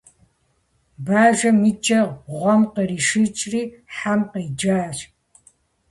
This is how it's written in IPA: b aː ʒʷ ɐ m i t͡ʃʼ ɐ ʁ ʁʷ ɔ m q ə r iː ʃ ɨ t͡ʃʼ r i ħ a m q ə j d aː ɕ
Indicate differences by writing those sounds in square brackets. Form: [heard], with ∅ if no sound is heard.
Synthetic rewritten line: b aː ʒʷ ɐ m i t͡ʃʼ ɐ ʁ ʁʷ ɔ m q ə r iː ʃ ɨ t͡ʃʼ r [iː] ħ a m q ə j [d͡ʒ] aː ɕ